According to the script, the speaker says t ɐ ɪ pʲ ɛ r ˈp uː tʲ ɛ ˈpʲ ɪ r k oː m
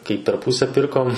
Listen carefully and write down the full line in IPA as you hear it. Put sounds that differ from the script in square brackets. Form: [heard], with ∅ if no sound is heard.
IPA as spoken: [k] ɐ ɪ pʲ ɛ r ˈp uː [sʲ] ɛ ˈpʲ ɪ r k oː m